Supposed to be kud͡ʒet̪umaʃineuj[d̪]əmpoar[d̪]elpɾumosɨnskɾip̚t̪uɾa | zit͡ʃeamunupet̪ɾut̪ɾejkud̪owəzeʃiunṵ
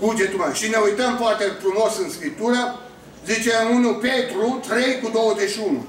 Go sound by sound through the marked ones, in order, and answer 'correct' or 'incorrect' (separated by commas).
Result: incorrect, incorrect